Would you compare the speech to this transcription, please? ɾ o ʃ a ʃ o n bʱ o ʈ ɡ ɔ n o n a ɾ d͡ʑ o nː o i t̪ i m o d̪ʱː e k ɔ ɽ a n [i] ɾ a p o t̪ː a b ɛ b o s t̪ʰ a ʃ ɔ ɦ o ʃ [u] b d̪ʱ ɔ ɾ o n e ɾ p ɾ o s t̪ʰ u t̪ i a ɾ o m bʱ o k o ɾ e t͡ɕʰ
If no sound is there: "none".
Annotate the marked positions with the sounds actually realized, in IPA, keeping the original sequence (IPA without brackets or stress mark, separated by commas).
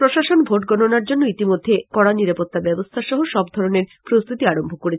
i, ɔ